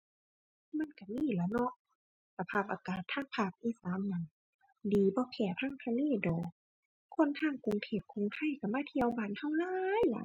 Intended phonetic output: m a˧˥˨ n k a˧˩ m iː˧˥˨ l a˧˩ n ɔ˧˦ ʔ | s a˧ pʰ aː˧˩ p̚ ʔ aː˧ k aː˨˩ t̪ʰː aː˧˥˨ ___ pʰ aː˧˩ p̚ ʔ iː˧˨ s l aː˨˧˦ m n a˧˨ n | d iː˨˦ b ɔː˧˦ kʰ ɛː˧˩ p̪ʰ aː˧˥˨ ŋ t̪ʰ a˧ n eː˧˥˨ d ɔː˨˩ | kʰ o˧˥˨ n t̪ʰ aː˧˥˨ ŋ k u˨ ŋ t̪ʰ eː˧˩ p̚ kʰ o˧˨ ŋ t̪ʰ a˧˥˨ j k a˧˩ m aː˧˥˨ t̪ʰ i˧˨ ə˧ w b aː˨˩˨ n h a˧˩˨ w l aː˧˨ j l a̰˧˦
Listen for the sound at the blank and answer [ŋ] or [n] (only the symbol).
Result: ŋ